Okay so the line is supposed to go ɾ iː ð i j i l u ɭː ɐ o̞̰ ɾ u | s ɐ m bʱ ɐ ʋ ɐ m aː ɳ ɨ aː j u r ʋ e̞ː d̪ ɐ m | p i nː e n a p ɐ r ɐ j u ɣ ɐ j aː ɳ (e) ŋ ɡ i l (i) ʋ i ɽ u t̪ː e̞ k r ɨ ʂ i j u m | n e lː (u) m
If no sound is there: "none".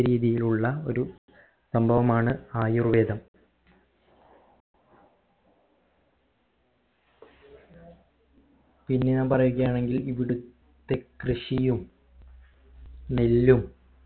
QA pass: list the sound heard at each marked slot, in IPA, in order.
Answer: e, i, u

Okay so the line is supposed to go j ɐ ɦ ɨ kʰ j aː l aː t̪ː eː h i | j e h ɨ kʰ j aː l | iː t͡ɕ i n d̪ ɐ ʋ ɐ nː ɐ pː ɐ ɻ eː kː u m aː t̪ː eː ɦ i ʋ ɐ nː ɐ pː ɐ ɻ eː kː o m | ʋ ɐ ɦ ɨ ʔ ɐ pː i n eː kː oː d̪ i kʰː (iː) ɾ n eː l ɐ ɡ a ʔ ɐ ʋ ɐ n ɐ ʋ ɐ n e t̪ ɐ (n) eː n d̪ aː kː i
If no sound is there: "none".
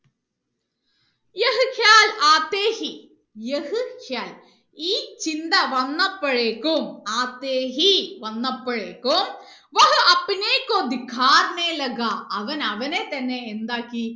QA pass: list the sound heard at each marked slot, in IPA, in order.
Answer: aː, nː

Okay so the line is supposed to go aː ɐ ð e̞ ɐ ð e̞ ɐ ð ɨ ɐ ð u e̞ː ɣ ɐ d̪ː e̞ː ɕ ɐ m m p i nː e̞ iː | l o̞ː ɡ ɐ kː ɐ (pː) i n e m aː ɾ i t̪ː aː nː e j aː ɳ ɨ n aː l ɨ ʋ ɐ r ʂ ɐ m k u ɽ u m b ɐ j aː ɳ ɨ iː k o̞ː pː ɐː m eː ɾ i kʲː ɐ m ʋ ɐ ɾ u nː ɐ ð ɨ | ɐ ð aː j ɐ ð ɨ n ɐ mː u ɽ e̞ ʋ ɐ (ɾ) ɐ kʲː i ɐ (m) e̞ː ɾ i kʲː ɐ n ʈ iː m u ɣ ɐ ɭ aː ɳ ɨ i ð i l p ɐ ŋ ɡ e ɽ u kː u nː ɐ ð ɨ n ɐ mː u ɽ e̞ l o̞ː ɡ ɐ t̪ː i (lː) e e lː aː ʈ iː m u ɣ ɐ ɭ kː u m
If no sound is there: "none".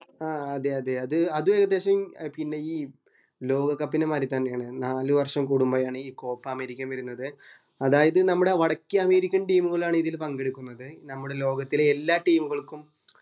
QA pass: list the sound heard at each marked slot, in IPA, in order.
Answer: pː, ɽ, m, l

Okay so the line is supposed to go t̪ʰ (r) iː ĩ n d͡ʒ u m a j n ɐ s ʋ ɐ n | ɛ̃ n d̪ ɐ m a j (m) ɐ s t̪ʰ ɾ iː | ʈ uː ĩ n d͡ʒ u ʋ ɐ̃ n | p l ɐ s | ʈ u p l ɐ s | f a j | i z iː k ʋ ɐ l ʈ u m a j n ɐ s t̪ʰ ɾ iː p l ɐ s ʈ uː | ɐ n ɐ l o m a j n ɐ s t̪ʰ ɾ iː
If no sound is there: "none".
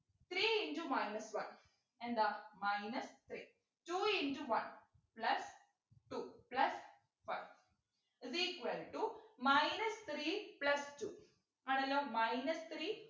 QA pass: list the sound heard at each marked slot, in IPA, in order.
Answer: ɾ, n

